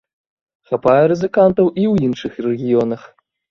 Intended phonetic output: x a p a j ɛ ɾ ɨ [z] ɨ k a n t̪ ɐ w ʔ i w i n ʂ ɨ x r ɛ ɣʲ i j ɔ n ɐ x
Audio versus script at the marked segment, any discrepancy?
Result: no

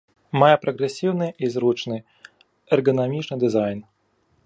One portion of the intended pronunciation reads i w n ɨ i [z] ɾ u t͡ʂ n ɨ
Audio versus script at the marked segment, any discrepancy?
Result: no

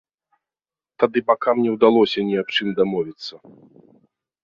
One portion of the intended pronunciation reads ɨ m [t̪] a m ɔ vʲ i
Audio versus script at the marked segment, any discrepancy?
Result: yes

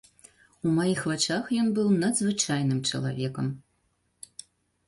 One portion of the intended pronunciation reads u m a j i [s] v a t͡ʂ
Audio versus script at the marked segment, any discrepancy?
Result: yes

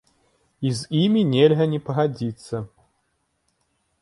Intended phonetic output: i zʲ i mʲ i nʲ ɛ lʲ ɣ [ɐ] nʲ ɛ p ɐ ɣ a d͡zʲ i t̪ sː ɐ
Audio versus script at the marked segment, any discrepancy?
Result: no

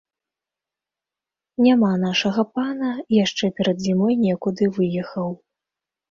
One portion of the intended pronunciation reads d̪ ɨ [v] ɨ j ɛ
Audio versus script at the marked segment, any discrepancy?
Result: no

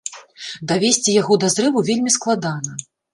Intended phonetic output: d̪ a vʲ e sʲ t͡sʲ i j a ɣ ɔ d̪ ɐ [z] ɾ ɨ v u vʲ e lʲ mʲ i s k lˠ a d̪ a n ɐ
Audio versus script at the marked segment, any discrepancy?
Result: no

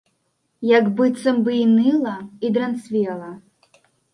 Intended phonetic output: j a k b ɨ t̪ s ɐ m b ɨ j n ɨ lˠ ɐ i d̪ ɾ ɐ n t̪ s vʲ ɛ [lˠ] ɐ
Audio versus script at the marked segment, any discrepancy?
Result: no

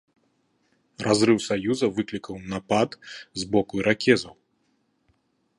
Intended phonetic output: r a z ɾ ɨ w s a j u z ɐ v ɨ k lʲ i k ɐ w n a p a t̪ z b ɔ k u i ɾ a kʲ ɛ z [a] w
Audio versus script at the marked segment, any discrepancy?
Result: yes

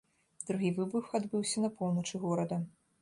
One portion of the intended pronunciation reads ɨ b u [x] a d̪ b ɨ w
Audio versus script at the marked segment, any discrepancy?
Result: no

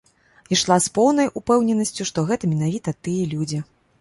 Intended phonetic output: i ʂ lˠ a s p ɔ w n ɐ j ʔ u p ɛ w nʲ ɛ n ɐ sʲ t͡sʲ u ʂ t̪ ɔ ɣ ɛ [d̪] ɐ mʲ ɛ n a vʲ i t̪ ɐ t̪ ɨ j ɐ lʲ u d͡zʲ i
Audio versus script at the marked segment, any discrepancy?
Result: yes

